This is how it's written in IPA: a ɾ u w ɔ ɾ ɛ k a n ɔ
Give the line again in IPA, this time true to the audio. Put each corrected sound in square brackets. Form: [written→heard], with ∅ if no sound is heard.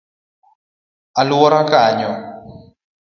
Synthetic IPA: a [ɾ→l] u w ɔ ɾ [ɛ→a] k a [n→ɲ] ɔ